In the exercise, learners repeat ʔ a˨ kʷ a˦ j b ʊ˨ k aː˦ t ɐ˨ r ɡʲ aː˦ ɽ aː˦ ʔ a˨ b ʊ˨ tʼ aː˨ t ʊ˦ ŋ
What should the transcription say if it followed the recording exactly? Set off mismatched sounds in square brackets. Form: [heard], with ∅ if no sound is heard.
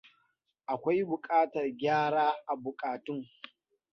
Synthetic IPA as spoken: ʔ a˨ kʷ a˦ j b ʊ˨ [kʼ] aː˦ t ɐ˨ r ɡʲ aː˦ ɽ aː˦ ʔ a˨ b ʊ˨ [kʼ] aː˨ t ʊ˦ ŋ